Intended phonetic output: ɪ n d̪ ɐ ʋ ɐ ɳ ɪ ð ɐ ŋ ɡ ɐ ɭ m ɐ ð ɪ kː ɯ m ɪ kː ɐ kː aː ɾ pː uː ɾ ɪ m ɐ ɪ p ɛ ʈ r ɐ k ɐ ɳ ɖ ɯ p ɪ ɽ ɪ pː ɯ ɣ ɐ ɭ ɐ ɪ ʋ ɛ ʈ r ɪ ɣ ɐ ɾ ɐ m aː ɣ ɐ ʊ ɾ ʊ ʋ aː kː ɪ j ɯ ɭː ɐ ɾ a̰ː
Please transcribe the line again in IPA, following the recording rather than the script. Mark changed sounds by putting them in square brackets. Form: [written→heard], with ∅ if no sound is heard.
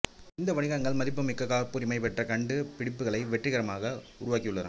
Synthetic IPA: ɪ n d̪ ɐ ʋ ɐ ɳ ɪ [ð→ɣ] ɐ ŋ ɡ ɐ ɭ m ɐ ð ɪ [kː→pː] ɯ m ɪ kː ɐ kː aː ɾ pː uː ɾ ɪ m ɐ ɪ p ɛ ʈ r ɐ k ɐ ɳ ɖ ɯ p ɪ ɽ ɪ pː ɯ ɣ ɐ ɭ ɐ ɪ ʋ ɛ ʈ r ɪ ɣ ɐ ɾ ɐ m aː ɣ ɐ ʊ ɾ ʊ ʋ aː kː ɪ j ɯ ɭː ɐ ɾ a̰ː